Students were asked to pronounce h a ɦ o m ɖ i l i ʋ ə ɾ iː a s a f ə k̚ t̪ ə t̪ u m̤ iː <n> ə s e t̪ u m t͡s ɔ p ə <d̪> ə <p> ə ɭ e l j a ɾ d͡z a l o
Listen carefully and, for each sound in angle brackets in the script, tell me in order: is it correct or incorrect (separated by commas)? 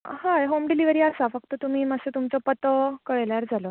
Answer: incorrect, incorrect, incorrect